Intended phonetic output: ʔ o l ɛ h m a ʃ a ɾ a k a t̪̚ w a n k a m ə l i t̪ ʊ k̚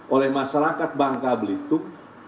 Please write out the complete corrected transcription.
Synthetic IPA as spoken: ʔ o l ɛ h m a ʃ a ɾ a k a t̪̚ b a ŋ k a b ə l i t̪ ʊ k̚